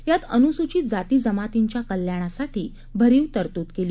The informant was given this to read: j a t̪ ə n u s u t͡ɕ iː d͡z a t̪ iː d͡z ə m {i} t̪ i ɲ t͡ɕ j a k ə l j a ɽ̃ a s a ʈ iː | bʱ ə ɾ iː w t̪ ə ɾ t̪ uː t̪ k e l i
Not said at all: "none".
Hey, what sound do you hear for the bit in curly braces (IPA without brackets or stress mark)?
a